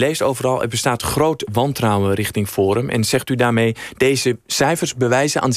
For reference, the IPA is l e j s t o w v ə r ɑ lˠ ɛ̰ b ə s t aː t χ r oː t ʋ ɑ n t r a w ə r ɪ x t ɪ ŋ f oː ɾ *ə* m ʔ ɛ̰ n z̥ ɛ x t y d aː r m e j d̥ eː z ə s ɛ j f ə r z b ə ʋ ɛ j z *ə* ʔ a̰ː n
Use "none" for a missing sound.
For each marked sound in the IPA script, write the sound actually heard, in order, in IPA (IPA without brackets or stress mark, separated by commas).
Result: ə, ə